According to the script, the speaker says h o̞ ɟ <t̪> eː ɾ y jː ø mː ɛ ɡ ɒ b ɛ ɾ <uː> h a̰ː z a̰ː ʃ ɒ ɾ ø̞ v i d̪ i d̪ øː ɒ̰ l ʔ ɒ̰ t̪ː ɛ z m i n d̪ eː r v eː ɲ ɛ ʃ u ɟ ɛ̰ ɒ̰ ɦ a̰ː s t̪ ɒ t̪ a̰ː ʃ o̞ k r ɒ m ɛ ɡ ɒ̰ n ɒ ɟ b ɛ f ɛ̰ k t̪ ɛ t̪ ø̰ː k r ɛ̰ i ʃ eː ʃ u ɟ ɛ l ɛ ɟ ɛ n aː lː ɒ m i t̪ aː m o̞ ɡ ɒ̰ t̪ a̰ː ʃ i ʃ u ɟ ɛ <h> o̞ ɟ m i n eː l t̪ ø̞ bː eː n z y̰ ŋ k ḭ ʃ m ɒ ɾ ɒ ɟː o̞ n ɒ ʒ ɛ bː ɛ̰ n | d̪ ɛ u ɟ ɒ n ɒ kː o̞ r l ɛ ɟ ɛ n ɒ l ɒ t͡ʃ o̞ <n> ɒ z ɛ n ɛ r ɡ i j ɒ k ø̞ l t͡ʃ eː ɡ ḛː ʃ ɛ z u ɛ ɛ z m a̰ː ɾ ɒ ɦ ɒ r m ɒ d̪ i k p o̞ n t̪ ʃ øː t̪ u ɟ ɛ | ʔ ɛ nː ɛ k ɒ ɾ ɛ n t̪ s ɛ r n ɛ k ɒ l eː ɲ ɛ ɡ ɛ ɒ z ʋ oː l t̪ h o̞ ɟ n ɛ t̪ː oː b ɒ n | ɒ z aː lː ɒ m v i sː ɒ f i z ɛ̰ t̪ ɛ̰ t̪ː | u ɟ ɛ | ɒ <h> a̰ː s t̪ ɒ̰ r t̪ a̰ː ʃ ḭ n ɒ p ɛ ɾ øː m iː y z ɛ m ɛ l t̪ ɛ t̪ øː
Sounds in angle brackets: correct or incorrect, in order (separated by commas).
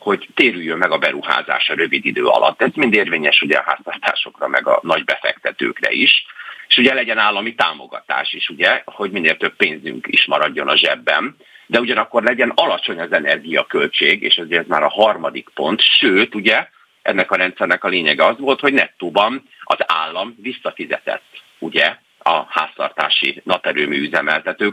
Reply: correct, incorrect, correct, incorrect, correct